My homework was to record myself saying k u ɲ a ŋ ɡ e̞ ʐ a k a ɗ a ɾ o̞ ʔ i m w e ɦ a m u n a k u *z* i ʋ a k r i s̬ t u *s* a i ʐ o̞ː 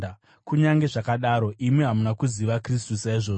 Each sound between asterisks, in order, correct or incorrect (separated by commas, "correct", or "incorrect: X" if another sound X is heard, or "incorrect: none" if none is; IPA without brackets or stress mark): correct, correct